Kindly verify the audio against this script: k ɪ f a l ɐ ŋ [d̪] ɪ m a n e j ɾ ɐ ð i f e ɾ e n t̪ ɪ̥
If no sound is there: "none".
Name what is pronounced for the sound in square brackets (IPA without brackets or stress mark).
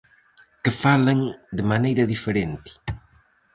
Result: d̪